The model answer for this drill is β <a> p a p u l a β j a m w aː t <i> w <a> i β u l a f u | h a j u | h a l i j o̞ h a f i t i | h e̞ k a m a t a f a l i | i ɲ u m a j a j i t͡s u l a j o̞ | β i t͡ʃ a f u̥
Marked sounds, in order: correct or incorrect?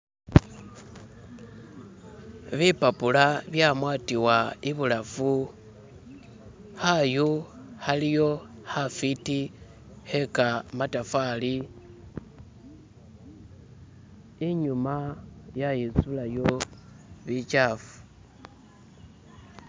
incorrect, correct, correct

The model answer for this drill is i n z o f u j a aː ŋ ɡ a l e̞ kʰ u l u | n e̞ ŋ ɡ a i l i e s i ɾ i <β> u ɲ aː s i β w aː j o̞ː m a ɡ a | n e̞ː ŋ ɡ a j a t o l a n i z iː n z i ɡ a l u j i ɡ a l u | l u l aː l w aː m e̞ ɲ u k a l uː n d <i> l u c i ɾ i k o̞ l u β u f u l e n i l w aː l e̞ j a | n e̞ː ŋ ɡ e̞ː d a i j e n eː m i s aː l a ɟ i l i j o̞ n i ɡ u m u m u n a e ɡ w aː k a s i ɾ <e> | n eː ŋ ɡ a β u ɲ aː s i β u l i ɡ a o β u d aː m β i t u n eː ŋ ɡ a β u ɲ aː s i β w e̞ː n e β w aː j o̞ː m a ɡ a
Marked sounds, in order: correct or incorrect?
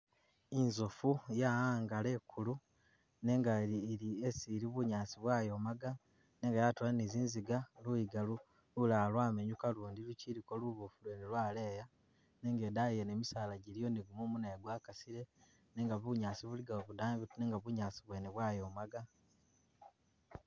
correct, correct, correct

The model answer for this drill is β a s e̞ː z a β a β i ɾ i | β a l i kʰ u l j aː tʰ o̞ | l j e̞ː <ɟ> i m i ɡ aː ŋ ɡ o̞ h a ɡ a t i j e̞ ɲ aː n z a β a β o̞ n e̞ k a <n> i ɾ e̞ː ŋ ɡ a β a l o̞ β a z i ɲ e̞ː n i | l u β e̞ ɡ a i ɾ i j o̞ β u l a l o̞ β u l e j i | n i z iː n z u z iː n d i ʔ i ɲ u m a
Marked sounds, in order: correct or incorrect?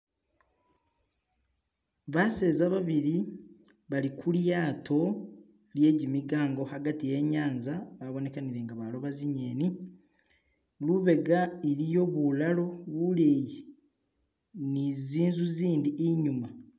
correct, correct

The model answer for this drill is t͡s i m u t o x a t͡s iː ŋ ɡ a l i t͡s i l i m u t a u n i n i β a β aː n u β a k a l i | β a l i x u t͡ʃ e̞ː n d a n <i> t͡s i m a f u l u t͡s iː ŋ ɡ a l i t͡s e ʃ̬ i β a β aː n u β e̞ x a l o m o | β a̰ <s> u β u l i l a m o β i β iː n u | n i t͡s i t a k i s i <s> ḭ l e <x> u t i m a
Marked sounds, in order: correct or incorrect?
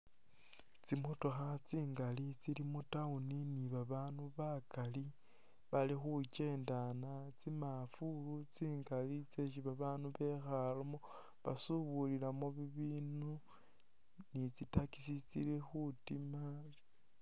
incorrect, correct, incorrect, correct

